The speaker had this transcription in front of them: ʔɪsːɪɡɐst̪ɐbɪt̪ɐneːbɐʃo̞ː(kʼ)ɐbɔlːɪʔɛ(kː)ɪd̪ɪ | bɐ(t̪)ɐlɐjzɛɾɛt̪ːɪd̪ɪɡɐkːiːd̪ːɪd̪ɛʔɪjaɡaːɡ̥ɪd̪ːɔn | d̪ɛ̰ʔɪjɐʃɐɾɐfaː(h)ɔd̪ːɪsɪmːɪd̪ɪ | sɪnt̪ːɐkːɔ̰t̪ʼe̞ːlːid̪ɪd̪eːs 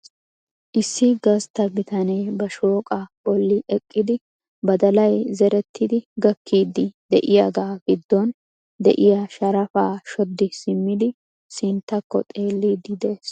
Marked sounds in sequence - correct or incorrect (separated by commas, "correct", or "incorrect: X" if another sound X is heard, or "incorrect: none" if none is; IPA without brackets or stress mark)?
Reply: correct, incorrect: kʼː, incorrect: d̪, incorrect: ʃ